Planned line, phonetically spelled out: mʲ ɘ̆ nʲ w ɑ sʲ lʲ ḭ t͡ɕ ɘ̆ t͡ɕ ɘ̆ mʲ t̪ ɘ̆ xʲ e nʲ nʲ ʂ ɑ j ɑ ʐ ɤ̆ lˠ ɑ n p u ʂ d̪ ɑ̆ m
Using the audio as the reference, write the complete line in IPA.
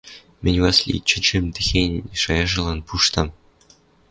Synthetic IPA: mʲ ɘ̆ nʲ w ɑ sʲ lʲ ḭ t͡ɕ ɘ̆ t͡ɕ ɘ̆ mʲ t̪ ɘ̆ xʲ e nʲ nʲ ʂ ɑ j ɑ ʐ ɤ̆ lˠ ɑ n p u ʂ t̪ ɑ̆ m